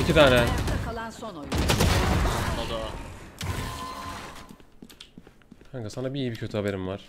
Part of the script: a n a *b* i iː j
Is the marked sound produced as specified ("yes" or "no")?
yes